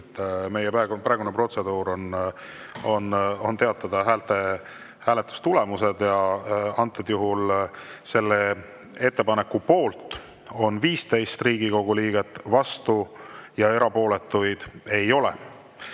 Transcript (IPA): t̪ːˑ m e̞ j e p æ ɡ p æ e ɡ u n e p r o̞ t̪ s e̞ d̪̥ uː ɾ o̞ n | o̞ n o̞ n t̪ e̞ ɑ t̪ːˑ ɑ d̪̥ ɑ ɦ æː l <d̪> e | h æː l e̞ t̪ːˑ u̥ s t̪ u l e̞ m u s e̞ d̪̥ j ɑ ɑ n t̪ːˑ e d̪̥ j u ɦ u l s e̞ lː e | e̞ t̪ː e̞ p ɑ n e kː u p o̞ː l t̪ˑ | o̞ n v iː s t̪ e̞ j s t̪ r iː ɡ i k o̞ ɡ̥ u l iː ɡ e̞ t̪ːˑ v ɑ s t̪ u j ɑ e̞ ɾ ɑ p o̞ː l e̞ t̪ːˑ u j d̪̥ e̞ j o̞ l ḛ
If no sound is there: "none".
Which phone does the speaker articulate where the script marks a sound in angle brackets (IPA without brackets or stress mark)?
t̪